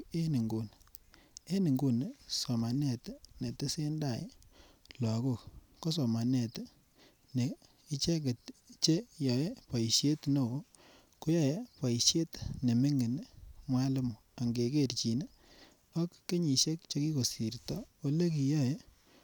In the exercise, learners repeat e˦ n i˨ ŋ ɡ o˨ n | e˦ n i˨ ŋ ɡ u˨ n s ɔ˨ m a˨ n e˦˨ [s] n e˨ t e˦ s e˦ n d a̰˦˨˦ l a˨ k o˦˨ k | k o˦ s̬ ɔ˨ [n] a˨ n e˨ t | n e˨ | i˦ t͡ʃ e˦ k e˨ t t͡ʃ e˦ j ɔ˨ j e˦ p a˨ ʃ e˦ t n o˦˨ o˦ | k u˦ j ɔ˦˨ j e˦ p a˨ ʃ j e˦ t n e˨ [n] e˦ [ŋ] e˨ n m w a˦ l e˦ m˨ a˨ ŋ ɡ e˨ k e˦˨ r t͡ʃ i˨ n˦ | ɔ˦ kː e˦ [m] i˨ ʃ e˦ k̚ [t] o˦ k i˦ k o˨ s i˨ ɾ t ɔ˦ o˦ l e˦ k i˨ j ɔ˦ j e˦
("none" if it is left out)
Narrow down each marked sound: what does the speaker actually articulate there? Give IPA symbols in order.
t, m, m, ŋ, ɲ, t͡ʃ

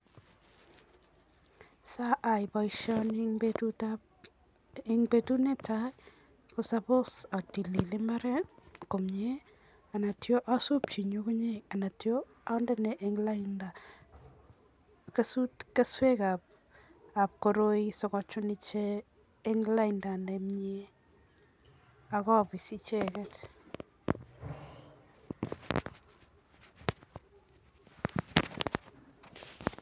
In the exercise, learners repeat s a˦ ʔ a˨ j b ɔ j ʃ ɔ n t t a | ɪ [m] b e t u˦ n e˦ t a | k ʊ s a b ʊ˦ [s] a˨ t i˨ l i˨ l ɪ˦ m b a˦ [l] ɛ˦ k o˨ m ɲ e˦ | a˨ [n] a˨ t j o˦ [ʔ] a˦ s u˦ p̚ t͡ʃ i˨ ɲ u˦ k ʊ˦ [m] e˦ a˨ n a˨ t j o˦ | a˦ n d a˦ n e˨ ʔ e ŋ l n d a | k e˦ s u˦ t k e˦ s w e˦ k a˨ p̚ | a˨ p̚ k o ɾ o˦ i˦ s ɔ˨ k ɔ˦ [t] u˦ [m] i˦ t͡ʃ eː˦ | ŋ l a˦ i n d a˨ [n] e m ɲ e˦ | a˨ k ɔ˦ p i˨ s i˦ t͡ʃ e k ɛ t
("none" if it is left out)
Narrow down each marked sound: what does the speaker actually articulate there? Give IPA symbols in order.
ŋ, s, ɾ, n, ʔ, ɲ, t͡ʃ, n, n

